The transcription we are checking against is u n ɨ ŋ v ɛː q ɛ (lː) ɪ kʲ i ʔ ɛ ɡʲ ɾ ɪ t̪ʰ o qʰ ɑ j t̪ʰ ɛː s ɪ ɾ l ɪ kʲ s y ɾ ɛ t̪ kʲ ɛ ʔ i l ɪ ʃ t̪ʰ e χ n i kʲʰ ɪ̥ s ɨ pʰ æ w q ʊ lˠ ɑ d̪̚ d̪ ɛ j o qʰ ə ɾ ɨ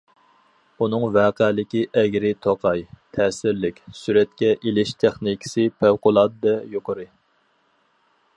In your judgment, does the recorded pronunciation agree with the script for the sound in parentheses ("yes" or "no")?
no